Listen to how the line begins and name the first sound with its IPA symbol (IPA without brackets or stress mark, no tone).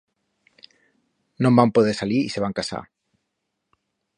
n